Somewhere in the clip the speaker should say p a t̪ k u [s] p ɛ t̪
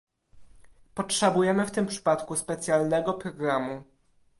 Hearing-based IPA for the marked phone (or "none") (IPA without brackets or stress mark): s